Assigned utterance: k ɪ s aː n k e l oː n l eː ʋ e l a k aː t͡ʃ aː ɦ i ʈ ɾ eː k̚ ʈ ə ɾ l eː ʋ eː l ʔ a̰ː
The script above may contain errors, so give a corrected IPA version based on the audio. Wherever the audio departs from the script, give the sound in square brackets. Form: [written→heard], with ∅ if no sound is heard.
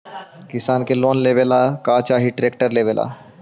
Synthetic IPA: k ɪ s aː n k e l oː n l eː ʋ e l a k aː t͡ʃ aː ɦ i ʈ ɾ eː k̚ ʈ ə ɾ l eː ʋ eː l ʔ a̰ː